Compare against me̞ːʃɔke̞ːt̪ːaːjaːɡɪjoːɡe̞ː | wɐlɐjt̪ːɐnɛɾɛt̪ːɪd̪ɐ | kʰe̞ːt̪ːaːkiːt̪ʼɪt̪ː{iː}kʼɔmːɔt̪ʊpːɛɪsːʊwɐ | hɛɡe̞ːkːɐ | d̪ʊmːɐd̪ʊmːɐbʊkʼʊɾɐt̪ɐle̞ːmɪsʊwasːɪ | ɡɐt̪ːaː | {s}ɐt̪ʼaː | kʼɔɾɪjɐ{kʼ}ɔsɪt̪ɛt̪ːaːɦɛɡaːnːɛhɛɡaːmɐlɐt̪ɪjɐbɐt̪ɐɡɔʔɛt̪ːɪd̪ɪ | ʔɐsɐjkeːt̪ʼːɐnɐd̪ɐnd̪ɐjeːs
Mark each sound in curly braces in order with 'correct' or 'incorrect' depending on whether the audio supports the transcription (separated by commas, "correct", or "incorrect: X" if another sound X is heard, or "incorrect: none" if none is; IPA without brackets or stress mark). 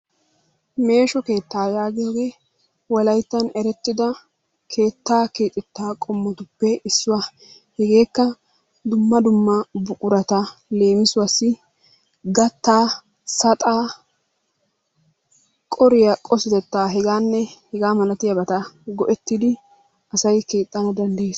incorrect: aː, correct, correct